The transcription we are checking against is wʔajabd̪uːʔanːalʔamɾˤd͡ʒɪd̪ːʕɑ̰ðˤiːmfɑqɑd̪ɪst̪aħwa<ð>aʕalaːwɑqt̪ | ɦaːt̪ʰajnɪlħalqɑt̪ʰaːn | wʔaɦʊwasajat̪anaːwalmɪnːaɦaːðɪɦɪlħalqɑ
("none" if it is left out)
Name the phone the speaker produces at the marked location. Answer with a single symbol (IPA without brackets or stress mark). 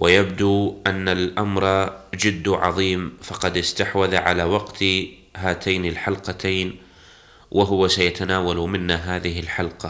ð